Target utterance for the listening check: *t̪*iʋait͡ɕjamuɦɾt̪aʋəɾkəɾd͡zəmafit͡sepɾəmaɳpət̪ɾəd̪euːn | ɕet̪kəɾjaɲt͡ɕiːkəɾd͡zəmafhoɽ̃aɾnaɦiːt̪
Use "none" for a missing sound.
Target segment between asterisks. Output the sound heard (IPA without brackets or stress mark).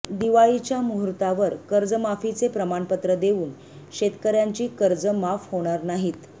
d̪